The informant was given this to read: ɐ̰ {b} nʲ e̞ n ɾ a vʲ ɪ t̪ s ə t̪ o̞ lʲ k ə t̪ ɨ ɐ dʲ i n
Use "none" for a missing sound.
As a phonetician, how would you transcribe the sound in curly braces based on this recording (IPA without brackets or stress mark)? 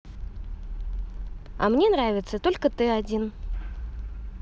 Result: m